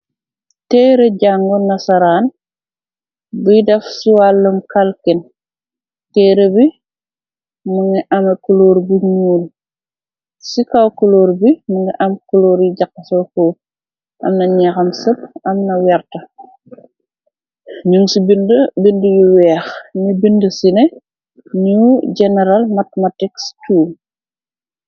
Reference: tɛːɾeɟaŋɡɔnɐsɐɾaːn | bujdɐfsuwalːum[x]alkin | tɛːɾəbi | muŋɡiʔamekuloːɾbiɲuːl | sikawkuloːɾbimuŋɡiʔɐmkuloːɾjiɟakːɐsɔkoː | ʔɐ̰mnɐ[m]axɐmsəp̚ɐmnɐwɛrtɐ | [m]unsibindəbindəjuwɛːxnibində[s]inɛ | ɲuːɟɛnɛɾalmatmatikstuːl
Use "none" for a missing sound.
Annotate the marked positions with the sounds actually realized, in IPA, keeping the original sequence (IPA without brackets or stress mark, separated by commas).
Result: k, ɲ, ɲ, s